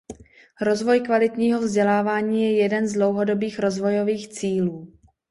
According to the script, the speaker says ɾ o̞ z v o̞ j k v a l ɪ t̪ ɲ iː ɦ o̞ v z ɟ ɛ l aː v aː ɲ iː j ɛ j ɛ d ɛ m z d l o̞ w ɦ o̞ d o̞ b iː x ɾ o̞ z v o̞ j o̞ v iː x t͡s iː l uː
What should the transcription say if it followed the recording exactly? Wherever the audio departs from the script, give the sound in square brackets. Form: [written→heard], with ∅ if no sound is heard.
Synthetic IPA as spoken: ɾ o̞ z v o̞ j k v a l ɪ t̪ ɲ iː ɦ o̞ v z ɟ ɛ l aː v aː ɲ iː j ɛ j ɛ d ɛ [m→n] z d l o̞ w ɦ o̞ d o̞ b iː x ɾ o̞ z v o̞ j o̞ v iː x t͡s iː l uː